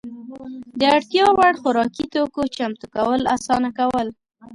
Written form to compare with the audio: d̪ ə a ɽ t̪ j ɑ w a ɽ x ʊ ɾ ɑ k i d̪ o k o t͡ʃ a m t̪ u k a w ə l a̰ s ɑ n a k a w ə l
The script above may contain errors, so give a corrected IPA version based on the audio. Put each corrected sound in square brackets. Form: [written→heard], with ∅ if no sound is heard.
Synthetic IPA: d̪ ə a ɽ t̪ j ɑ w a ɽ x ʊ ɾ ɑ k i [d̪→t̪] o k o t͡ʃ a m t̪ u k a w ə l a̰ s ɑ n a k a w ə l